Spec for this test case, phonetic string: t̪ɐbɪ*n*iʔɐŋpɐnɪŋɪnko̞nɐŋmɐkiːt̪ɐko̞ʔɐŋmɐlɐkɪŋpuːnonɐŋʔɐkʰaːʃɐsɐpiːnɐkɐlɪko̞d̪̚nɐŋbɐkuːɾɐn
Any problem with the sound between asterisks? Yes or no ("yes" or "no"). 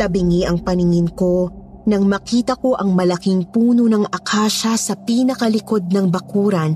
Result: yes